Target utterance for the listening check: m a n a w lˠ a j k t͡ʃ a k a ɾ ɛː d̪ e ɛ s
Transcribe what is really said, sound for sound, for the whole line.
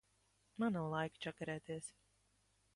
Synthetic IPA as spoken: m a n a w lˠ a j k t͡ʃ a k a ɾ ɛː t̪ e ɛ s